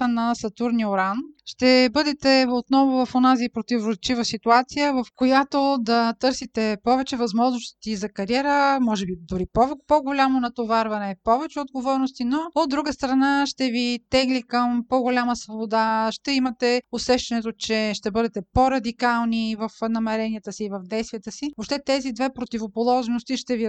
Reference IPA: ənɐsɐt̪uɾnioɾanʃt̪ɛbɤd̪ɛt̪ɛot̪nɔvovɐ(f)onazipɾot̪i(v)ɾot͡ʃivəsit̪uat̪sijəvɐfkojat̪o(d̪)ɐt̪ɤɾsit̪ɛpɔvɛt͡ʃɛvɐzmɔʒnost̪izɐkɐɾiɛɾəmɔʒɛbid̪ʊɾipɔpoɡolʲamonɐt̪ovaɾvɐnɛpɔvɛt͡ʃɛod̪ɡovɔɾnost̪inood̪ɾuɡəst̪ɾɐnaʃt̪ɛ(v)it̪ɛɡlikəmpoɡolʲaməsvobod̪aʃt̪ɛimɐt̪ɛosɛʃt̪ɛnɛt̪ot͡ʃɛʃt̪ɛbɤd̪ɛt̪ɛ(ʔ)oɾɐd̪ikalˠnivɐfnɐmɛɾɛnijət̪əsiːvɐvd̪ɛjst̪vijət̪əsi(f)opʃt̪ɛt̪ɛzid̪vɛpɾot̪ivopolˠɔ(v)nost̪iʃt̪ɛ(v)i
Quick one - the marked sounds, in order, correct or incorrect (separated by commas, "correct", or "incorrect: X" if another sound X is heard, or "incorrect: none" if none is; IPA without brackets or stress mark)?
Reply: correct, correct, correct, correct, incorrect: p, incorrect: v, incorrect: ʒ, correct